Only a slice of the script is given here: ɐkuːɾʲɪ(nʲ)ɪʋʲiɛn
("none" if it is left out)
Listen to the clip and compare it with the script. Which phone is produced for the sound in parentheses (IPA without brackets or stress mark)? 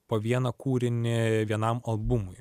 nʲ